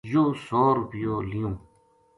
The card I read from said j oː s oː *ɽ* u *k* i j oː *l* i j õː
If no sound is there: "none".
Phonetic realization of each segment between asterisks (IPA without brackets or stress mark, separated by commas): ɾ, p, l